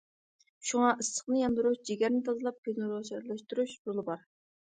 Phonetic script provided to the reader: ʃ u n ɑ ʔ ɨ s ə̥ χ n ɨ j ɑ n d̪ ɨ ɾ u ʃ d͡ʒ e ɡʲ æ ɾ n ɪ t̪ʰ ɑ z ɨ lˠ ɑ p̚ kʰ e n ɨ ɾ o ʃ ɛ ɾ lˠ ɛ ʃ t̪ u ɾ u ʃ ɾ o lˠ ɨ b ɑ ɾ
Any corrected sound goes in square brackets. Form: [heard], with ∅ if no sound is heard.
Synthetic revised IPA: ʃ u [ŋ] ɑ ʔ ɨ s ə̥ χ n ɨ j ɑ n d̪ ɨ ɾ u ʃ d͡ʒ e ɡʲ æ ɾ n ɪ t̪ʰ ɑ z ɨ lˠ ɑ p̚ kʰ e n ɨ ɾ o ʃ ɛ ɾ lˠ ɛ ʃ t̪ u ɾ u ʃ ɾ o lˠ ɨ b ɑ ɾ